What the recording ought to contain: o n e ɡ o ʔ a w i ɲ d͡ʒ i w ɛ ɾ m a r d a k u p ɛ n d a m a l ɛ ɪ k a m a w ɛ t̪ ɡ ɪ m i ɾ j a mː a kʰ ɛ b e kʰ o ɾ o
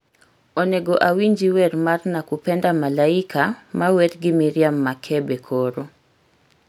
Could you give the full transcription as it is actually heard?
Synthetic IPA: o n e ɡ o ʔ a w i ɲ d͡ʒ i w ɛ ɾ m a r n a k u p ɛ n d a m a l a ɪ k a m a w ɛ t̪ ɡ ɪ m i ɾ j a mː a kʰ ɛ b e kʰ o ɾ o